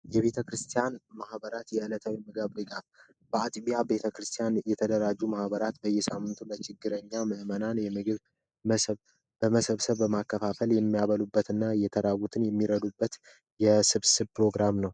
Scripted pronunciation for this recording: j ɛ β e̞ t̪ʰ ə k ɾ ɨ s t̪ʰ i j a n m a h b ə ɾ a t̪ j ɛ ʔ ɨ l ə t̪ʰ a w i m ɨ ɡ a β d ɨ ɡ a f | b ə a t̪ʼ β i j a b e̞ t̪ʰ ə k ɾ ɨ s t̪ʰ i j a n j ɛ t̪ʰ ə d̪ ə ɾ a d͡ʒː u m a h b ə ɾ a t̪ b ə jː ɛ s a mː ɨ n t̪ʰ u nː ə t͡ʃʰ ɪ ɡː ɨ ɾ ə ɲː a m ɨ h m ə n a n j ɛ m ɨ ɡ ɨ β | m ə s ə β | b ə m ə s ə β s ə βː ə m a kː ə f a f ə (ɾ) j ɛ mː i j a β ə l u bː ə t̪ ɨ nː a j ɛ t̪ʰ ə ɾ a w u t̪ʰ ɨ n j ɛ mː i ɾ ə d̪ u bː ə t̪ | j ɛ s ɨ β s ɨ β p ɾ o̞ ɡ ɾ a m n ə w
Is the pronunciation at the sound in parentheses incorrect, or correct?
incorrect